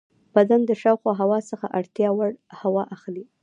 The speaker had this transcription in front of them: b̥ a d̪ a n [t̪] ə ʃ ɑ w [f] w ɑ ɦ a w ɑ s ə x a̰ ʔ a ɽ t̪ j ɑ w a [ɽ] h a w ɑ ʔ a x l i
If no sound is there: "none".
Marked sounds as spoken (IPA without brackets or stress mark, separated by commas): d̪, x, ɽ